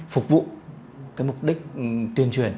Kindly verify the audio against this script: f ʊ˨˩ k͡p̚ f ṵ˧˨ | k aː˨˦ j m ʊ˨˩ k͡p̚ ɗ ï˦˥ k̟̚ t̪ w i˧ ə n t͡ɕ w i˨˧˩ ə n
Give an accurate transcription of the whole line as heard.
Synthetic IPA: f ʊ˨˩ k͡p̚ v ṵ˧˨ | k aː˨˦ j m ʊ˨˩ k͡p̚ ɗ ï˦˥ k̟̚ t̪ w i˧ ə n t͡ɕ w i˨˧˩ ə n